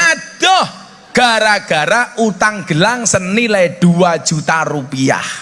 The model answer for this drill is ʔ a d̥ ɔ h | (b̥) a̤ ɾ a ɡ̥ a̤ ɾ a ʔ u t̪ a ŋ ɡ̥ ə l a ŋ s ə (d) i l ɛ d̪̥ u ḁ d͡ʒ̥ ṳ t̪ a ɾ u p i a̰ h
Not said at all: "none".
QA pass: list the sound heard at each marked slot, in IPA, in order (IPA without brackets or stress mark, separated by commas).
ɡ̥, n